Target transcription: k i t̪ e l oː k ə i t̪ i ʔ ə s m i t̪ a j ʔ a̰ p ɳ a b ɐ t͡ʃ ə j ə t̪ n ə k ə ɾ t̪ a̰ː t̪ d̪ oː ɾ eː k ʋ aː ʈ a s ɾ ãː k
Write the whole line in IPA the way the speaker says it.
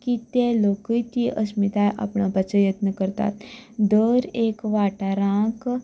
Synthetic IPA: k i t̪ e l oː k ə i t̪ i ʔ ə s m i t̪ a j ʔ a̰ p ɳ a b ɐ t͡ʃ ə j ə t̪ n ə k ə ɾ t̪ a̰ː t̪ d̪ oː ɾ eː k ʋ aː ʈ a ɾ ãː k